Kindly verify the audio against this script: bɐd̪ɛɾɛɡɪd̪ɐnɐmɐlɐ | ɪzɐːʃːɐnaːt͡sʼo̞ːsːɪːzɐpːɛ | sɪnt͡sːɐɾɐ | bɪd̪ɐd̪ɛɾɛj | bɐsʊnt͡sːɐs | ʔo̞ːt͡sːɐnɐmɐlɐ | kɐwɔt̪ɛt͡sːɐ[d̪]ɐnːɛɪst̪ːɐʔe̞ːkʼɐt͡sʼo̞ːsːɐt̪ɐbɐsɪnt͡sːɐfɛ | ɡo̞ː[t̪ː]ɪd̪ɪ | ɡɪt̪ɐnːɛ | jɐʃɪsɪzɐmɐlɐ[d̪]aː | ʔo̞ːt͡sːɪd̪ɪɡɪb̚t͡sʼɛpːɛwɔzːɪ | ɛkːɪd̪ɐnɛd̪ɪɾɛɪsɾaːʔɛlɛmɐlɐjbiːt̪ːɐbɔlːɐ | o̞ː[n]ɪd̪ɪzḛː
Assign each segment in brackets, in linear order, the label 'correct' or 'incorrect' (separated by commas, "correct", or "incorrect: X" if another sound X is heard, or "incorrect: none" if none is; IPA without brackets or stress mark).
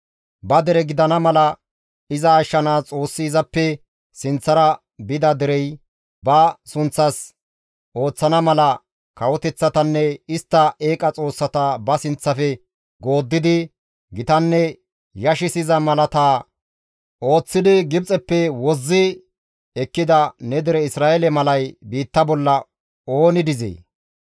incorrect: t̪, incorrect: d̪ː, incorrect: t̪, correct